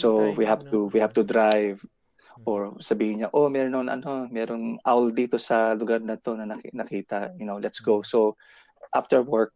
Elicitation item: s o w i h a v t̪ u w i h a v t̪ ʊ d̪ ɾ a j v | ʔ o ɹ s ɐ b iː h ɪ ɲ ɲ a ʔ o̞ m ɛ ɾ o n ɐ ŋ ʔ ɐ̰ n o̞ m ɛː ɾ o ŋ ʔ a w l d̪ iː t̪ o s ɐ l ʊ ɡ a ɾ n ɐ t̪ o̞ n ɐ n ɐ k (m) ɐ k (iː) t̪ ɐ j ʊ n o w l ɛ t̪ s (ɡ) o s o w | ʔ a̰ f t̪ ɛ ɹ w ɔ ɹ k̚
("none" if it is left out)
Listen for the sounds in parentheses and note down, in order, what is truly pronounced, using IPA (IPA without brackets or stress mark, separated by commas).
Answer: n, iː, ɡ